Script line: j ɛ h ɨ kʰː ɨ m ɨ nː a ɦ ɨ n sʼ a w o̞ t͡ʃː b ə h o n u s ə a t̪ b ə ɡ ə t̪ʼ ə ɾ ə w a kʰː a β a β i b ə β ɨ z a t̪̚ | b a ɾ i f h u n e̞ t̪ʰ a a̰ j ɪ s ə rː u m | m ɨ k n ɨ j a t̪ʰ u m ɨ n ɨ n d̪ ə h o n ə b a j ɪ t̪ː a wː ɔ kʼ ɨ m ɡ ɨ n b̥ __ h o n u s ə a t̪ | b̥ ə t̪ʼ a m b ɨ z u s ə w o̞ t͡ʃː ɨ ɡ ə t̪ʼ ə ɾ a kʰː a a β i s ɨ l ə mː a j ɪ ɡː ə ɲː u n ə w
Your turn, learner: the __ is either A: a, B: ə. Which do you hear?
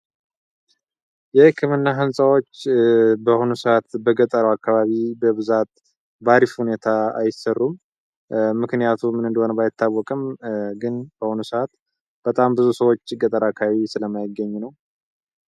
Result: B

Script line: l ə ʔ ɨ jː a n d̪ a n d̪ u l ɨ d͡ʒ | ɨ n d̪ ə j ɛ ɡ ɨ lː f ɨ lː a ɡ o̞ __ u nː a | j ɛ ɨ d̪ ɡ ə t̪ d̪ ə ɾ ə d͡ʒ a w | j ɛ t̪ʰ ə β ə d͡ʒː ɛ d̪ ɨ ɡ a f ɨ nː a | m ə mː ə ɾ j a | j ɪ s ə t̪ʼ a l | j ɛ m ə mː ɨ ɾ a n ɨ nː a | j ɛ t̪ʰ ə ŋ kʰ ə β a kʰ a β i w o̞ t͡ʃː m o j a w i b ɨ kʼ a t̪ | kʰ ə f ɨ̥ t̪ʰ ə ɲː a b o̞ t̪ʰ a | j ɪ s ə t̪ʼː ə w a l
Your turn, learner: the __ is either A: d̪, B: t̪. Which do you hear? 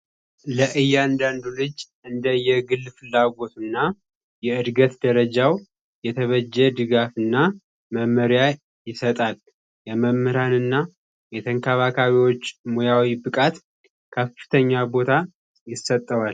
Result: B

